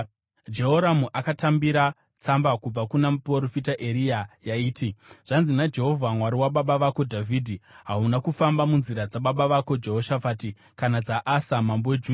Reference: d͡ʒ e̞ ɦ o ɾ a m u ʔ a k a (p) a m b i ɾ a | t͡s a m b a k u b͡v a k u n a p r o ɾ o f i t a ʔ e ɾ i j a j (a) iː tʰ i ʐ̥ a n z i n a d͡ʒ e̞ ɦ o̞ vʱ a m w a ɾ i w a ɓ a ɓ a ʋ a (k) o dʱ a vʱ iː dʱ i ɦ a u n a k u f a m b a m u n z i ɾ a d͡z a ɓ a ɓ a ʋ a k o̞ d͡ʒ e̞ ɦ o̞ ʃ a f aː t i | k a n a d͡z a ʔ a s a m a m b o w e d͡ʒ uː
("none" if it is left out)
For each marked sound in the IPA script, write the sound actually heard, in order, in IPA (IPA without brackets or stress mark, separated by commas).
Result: t, a, k